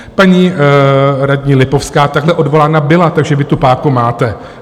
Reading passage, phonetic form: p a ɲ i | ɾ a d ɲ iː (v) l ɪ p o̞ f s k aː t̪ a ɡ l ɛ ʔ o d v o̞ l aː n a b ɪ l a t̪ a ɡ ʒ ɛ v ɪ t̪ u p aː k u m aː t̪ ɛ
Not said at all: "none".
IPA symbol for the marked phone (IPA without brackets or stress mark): none